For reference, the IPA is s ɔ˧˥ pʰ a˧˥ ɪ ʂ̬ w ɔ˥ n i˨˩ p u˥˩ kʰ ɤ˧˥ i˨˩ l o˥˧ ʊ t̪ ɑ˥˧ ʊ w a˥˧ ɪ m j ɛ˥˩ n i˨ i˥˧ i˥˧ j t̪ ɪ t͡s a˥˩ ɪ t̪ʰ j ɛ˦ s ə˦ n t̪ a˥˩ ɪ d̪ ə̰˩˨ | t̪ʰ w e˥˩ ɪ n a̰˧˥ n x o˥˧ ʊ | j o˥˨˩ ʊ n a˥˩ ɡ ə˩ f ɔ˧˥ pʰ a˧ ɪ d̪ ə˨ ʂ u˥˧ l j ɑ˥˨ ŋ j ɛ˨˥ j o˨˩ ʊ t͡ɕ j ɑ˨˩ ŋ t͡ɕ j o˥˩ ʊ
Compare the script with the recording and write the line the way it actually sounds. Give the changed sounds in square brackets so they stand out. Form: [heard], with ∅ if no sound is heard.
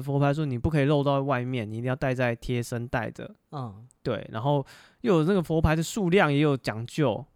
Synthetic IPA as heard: [f] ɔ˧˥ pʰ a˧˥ ɪ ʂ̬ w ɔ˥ n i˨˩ p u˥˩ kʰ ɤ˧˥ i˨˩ l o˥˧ ʊ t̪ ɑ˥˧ ʊ w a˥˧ ɪ m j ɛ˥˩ n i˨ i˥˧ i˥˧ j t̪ ɪ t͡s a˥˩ ɪ t̪ʰ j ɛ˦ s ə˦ n t̪ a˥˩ ɪ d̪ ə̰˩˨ | [t̪] w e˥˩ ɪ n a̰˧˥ n x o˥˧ ʊ | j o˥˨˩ ʊ n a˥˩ ɡ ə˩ f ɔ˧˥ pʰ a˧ ɪ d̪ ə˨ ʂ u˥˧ l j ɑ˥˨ ŋ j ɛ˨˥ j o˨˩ ʊ t͡ɕ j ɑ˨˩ ŋ t͡ɕ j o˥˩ ʊ